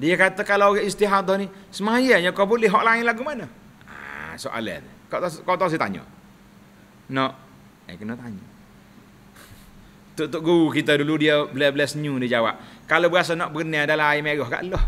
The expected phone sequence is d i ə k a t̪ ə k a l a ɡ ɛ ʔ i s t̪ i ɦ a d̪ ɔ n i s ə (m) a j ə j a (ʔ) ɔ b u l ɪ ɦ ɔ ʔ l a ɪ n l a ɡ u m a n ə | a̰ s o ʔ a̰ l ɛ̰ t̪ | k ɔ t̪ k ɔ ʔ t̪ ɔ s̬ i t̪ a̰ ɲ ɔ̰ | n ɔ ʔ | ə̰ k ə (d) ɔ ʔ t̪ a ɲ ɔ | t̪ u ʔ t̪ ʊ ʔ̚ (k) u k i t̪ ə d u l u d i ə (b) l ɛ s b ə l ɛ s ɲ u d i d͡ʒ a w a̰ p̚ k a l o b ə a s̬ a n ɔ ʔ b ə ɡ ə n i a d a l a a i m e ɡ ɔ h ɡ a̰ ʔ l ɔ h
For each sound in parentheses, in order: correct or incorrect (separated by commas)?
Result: correct, incorrect, incorrect, incorrect, correct